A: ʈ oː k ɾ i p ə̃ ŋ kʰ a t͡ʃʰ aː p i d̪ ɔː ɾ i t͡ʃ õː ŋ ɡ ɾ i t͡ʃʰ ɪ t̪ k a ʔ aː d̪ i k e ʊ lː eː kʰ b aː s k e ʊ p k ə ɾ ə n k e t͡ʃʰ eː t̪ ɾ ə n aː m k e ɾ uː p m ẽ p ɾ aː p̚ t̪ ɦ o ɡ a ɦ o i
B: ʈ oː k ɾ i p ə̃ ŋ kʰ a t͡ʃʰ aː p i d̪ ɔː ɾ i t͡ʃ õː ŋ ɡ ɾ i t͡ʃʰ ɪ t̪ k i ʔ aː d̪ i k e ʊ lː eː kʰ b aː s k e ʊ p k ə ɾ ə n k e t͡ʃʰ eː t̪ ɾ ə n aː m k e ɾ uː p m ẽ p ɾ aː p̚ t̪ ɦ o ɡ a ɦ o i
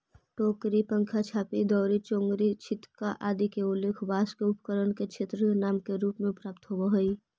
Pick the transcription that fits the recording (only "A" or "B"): A